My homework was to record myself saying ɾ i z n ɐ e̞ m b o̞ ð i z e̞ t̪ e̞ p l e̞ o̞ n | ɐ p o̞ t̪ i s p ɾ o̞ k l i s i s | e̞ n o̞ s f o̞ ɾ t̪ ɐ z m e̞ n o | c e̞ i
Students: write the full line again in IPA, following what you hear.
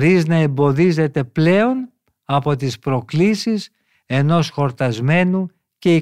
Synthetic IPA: ɾ i z n ɐ e̞ m b o̞ ð i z e̞ t̪ e̞ p l e̞ o̞ n | ɐ p o̞ t̪ i s p ɾ o̞ k l i s i s | e̞ n o̞ s x o̞ ɾ t̪ ɐ z m e̞ n u | c e̞ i